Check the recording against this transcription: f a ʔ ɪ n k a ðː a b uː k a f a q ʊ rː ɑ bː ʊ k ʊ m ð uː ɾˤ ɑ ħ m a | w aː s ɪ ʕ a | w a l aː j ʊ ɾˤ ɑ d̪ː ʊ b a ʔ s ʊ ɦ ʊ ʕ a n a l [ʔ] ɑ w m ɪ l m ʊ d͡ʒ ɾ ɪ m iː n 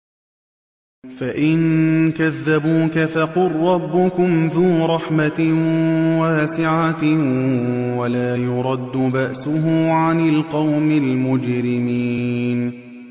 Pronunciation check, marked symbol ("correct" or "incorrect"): incorrect